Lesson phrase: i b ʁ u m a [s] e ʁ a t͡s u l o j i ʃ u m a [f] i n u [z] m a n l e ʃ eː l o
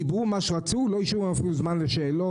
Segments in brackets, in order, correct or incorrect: incorrect: ʃ, correct, correct

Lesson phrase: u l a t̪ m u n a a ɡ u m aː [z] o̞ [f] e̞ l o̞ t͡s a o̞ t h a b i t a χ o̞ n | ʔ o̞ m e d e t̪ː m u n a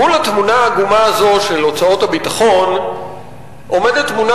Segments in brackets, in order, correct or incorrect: correct, incorrect: ʃ

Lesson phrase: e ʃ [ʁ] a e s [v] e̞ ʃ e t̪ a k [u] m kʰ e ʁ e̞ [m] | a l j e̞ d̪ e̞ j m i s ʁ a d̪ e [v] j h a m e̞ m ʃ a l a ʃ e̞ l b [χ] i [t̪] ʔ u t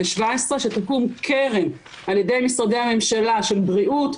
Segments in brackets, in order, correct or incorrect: incorrect: v, incorrect: ʁ, correct, correct, incorrect: none, incorrect: ʁ, incorrect: none

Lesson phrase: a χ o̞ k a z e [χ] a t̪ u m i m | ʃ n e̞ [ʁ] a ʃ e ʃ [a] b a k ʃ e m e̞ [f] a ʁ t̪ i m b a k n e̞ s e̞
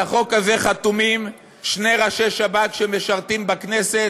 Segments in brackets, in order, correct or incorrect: correct, correct, correct, incorrect: ʃ

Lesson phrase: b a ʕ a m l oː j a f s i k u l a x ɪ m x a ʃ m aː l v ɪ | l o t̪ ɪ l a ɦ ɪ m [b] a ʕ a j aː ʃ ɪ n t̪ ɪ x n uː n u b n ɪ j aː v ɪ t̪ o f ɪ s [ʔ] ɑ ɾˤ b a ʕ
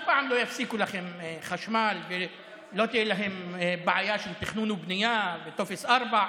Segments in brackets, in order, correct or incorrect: correct, correct

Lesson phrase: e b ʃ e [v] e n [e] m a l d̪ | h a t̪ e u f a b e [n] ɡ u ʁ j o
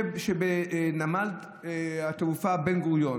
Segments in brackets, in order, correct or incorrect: incorrect: b, incorrect: a, correct

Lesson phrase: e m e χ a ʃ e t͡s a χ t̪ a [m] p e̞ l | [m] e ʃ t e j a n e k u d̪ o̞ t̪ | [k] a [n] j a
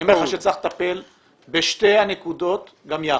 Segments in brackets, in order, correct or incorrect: incorrect: none, incorrect: b, incorrect: ɡ, incorrect: m

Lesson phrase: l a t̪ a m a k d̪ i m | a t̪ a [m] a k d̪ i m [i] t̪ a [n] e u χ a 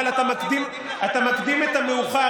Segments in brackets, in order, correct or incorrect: correct, incorrect: e, incorrect: m

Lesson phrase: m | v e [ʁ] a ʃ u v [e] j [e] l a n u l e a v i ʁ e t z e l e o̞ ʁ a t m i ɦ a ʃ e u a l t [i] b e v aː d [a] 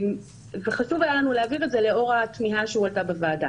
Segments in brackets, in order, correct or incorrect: incorrect: χ, incorrect: a, incorrect: a, incorrect: a, correct

